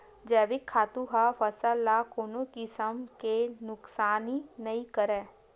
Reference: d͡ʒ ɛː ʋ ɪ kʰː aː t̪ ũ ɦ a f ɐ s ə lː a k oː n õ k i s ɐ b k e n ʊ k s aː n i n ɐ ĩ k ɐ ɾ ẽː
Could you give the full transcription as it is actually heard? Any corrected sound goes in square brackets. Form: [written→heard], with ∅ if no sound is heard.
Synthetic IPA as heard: d͡ʒ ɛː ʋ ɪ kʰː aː t̪ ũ ɦ a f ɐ s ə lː a k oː n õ k i s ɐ [b→m] k e n ʊ k s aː n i n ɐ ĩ k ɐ ɾ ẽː